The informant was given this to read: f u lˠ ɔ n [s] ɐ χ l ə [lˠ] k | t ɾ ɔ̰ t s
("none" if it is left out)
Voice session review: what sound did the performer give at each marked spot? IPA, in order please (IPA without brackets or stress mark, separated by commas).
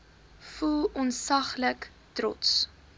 s, none